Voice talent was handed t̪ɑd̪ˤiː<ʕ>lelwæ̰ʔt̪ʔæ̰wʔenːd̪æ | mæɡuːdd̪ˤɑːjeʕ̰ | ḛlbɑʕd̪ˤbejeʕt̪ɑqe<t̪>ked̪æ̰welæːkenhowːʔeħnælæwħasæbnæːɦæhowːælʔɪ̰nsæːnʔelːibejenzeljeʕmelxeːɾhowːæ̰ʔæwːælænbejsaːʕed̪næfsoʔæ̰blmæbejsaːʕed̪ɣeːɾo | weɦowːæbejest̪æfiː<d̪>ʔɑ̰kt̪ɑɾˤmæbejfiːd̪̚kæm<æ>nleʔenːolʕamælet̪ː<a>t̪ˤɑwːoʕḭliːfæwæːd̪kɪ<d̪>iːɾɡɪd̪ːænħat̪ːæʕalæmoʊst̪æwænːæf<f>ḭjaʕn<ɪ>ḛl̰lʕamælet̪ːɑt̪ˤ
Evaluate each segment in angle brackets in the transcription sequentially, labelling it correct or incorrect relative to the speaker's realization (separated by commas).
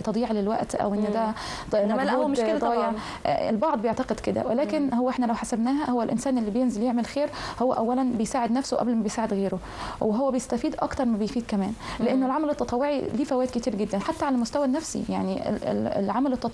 correct, incorrect, correct, incorrect, incorrect, incorrect, incorrect, incorrect